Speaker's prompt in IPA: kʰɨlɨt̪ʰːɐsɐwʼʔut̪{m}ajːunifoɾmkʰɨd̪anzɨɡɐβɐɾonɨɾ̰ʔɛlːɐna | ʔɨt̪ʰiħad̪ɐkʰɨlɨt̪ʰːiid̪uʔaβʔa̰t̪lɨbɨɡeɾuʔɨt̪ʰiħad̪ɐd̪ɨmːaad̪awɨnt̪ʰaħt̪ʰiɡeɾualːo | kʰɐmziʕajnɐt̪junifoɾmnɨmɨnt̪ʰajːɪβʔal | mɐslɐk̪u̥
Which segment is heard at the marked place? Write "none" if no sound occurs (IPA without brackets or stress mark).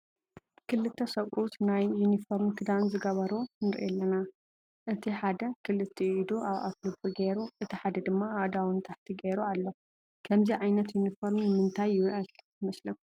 n